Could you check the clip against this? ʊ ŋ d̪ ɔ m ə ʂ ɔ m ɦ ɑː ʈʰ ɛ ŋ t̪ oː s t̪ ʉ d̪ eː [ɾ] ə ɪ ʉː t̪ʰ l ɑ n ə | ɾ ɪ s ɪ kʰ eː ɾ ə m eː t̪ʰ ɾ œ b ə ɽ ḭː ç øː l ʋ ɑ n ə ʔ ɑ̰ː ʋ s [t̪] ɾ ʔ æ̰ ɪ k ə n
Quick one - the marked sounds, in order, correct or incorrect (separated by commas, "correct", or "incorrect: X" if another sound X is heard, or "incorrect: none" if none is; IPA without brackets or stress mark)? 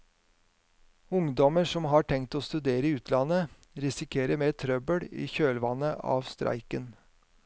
correct, correct